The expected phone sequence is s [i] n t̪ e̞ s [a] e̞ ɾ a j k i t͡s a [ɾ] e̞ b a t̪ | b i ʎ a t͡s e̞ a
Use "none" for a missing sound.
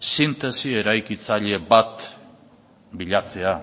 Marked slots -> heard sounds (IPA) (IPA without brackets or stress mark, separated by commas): i, i, ʎ